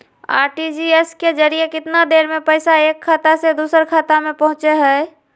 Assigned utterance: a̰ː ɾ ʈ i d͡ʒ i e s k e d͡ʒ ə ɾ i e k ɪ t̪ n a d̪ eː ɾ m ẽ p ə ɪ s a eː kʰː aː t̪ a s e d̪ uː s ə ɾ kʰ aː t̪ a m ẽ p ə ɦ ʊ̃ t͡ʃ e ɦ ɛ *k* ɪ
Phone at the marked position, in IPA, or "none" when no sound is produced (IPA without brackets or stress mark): none